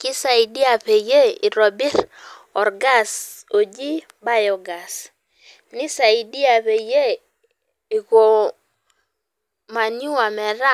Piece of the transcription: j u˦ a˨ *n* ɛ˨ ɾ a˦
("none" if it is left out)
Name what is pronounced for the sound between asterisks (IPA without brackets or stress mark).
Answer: m